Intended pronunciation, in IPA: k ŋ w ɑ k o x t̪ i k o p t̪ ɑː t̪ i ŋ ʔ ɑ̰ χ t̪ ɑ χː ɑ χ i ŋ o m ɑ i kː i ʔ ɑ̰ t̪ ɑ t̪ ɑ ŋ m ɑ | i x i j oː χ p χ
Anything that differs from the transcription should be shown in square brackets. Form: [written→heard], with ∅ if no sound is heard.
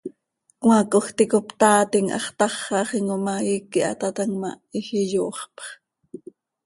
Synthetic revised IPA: k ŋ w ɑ k o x t̪ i k o p t̪ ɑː t̪ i ŋ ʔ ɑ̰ χ t̪ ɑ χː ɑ χ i ŋ o m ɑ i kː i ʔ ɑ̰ t̪ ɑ t̪ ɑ ŋ m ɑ | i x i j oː χ p χ